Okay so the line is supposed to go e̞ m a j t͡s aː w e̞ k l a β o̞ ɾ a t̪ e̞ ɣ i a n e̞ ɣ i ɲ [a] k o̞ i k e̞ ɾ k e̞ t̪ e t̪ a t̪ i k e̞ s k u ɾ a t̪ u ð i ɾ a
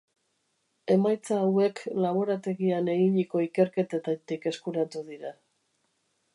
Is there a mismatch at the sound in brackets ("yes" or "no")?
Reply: yes